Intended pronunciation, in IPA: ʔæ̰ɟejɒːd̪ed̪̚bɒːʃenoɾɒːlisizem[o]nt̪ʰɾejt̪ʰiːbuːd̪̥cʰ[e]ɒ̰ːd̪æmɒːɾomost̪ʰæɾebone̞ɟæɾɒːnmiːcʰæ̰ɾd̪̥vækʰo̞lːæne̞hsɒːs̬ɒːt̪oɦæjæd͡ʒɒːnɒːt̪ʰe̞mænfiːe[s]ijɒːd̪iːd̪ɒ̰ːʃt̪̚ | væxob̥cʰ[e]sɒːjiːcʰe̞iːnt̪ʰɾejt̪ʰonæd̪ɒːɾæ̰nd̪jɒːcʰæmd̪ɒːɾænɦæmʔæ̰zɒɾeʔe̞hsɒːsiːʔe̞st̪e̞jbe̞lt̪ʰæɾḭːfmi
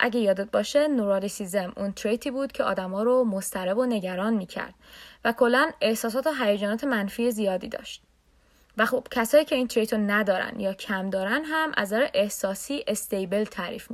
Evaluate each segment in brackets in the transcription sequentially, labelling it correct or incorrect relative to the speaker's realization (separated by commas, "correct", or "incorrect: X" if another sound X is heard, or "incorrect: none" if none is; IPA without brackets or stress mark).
incorrect: u, correct, incorrect: z, incorrect: æ